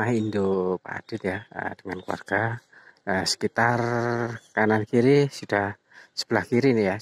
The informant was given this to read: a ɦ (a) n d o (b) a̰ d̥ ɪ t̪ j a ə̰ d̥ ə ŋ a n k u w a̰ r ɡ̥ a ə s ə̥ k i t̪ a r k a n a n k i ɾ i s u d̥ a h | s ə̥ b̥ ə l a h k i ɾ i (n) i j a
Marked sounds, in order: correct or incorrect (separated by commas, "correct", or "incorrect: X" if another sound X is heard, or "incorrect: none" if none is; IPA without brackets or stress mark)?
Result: incorrect: i, incorrect: p, correct